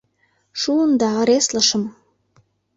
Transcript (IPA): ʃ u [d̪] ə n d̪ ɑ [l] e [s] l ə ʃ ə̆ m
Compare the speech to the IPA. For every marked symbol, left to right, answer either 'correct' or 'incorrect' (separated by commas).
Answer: incorrect, incorrect, correct